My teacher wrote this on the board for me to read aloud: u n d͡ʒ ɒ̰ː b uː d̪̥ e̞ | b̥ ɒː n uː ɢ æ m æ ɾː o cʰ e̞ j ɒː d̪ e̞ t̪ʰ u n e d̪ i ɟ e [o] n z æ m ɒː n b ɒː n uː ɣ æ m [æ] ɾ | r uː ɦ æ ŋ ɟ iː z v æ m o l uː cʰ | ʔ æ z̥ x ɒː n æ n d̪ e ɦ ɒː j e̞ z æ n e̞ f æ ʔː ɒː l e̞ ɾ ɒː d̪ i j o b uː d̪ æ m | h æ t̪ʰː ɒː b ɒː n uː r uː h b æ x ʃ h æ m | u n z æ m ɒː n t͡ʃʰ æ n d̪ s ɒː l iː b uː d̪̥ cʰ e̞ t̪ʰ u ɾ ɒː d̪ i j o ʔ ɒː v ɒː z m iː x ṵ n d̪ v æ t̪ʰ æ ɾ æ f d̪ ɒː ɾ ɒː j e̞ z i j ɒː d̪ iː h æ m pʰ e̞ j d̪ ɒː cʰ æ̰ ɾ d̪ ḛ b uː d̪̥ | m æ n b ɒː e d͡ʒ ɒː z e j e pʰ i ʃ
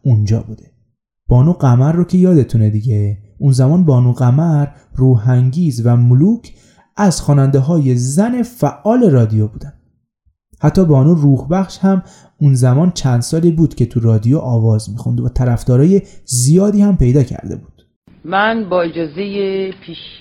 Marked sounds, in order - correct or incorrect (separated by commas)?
incorrect, correct